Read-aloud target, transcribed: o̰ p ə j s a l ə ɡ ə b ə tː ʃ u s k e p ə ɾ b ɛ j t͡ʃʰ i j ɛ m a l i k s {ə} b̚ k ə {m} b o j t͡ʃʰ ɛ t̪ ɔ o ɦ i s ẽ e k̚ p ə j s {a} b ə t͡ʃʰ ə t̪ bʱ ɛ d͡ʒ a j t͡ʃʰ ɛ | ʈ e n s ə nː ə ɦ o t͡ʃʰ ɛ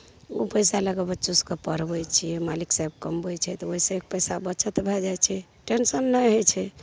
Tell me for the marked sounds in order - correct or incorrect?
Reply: incorrect: a, correct, correct

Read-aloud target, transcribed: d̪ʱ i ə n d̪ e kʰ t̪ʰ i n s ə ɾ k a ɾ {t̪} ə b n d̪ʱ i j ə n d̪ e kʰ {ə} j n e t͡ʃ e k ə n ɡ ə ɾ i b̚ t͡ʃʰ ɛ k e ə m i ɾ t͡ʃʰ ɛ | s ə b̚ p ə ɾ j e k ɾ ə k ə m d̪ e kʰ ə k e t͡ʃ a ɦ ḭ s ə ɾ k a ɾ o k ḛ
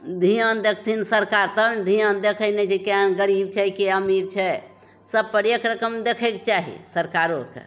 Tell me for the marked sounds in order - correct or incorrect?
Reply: correct, correct

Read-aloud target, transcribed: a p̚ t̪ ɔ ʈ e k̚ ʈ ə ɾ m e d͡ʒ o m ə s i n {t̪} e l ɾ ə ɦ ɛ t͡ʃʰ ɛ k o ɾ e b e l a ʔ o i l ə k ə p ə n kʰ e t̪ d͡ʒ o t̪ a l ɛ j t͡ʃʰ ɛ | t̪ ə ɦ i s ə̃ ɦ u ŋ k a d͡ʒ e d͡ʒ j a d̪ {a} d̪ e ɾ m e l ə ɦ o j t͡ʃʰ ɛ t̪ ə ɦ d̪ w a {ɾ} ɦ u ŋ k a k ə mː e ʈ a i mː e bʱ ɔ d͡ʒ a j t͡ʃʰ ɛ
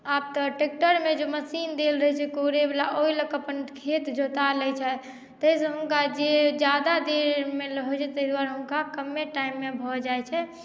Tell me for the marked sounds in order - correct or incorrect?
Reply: incorrect: d̪, correct, correct

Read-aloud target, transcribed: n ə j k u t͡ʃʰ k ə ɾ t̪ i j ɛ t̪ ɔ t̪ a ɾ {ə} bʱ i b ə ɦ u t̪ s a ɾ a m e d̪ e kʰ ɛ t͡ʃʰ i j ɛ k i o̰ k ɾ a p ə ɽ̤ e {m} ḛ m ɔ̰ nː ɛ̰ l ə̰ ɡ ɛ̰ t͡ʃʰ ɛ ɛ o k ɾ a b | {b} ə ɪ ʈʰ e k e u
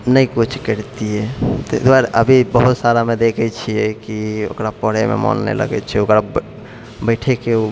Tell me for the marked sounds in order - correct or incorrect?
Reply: correct, correct, correct

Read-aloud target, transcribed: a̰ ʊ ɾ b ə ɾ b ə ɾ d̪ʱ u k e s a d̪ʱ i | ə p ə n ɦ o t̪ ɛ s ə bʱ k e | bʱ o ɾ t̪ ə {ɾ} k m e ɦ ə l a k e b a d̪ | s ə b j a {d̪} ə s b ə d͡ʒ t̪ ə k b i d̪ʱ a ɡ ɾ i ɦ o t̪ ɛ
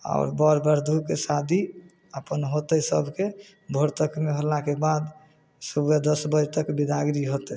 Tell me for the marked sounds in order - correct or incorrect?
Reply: incorrect: none, correct

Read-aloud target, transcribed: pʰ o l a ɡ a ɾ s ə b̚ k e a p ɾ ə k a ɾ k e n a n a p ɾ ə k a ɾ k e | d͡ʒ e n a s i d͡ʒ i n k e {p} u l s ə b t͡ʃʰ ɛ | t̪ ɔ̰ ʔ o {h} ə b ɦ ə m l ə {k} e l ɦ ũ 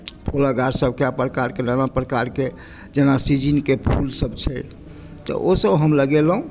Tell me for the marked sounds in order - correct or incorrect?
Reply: incorrect: pʰ, incorrect: s, incorrect: ɡ

